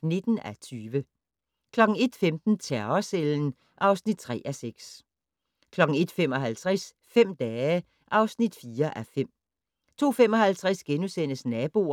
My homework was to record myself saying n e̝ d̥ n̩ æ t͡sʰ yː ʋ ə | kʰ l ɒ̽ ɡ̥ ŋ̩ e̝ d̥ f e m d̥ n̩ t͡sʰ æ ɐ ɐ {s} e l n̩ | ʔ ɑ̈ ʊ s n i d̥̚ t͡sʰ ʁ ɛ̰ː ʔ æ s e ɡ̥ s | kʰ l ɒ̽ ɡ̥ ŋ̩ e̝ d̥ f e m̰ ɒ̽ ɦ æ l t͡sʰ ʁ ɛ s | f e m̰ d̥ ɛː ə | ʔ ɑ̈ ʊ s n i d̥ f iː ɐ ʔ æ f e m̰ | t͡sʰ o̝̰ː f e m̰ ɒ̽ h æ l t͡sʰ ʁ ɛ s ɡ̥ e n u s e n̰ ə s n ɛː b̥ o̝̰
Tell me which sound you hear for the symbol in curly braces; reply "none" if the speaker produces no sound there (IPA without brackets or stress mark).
s